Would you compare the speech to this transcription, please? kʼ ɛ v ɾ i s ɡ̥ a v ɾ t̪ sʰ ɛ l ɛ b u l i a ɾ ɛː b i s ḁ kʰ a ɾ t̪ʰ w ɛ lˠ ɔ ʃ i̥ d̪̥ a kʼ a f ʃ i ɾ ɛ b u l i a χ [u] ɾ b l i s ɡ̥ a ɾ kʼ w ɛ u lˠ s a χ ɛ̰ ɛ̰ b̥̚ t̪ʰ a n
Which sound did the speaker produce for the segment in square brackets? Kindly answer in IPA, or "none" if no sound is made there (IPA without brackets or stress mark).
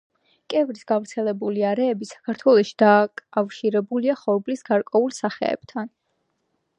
ɔ